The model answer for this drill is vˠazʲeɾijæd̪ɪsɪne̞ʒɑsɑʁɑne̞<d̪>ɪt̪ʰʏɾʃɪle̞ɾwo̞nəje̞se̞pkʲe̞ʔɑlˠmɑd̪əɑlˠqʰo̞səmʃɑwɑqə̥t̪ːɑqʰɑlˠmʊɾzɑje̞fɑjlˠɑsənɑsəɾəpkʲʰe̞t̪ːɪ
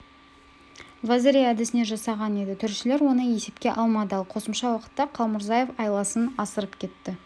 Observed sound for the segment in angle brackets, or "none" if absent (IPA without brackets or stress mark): d̪